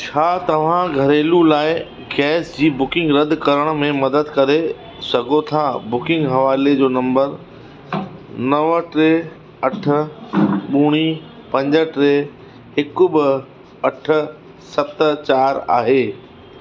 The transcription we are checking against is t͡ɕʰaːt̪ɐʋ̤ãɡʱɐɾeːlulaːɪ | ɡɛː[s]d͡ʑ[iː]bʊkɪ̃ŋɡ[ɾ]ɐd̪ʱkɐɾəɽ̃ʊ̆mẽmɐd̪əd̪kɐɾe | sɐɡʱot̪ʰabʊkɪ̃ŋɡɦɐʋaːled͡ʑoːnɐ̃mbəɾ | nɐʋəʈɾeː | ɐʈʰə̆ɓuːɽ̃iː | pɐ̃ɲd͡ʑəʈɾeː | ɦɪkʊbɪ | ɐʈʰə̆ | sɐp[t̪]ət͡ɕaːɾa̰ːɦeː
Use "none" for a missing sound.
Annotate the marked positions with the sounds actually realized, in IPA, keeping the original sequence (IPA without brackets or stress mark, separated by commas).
s, iː, ɾ, t̪